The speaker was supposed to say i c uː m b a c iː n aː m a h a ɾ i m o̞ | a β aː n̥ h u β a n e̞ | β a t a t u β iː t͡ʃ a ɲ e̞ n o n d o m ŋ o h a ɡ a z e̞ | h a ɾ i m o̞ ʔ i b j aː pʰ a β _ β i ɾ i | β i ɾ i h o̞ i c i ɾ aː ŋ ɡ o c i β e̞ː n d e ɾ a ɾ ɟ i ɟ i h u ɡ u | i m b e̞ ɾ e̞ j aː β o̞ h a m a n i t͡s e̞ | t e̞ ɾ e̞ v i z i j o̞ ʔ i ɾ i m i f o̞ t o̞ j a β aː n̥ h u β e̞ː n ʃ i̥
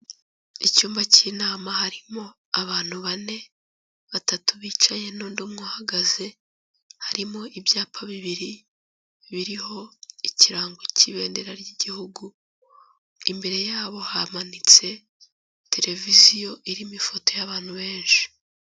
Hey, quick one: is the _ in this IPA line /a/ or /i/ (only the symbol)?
i